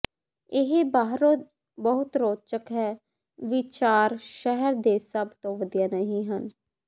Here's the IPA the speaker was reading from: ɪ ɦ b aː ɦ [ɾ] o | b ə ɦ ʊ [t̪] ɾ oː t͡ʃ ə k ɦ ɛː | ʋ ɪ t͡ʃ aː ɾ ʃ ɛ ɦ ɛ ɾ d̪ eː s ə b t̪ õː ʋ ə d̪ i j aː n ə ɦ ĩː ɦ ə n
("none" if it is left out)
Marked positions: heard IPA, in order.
ɾ, t̪

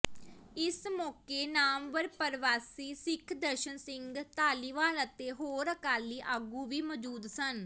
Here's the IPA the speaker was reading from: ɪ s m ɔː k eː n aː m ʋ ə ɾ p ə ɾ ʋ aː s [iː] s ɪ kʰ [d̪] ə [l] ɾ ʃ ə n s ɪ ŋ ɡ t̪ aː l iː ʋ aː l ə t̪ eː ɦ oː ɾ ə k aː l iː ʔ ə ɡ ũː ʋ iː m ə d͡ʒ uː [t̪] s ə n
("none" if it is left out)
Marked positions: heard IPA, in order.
iː, d̪, none, d̪

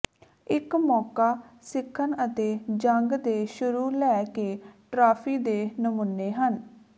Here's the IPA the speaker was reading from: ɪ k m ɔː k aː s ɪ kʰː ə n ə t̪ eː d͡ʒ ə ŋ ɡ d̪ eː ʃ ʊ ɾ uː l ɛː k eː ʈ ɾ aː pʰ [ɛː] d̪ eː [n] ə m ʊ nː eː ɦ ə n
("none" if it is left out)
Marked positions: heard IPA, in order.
iː, n

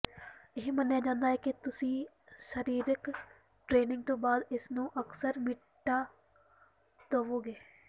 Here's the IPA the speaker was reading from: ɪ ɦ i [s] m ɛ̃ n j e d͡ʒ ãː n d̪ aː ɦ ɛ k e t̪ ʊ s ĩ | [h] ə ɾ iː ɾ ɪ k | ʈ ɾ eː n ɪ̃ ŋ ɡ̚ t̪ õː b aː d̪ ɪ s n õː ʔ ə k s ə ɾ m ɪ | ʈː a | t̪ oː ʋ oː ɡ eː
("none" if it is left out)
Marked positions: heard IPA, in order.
none, ʃ

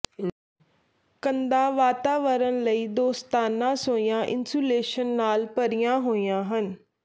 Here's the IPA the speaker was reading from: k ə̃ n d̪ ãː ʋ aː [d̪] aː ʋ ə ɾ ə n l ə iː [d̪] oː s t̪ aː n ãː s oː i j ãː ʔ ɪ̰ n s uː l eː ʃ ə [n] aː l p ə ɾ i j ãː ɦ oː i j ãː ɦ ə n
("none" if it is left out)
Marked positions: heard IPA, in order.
t̪, d̪, nː

